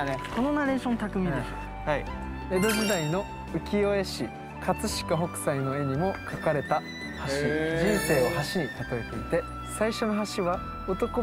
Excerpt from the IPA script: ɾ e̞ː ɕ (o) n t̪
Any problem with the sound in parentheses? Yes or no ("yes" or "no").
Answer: yes